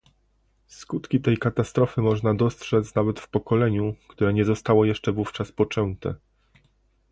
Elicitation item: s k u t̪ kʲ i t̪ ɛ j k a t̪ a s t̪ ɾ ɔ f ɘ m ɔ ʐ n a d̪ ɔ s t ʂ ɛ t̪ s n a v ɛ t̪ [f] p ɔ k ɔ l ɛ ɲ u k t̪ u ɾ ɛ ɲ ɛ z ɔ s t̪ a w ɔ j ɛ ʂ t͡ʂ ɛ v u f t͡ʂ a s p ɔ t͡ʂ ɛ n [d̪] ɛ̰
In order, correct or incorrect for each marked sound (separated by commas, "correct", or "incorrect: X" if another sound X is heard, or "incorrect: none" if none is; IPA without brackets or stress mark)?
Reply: correct, incorrect: t̪